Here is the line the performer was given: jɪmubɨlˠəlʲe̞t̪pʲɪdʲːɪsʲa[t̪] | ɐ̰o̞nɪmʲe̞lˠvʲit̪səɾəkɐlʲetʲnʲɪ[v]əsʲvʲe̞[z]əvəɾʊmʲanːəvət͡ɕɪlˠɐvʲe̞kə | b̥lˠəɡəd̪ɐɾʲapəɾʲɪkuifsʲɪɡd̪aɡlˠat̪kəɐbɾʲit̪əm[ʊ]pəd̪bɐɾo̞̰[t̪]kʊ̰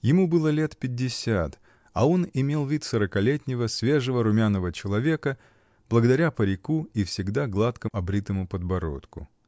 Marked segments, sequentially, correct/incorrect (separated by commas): correct, correct, incorrect, correct, correct